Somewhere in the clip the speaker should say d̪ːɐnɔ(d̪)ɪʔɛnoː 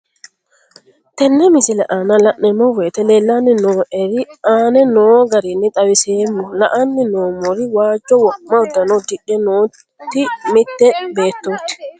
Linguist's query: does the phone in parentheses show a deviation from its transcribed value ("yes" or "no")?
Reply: no